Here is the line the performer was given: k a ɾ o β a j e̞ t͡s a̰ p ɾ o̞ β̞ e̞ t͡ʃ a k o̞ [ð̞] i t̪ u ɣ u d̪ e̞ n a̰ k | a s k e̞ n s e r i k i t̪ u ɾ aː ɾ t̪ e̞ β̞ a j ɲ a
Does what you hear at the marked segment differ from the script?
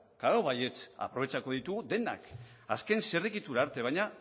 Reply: no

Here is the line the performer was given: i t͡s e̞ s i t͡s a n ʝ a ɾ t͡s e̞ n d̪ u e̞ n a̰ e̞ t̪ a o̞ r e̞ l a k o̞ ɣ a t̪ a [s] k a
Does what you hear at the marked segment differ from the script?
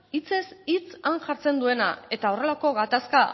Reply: no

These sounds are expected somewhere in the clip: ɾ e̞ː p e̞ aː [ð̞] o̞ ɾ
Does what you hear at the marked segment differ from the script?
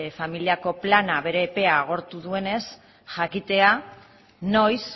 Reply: yes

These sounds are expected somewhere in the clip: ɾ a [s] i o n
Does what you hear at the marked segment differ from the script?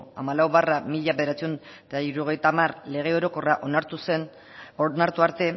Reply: yes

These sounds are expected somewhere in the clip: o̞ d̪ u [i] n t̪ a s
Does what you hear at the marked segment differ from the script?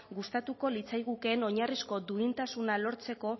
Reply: no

